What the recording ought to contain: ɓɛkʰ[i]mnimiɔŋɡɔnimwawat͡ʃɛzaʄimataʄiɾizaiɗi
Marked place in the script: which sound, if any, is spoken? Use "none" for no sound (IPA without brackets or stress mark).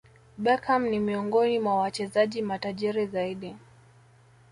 a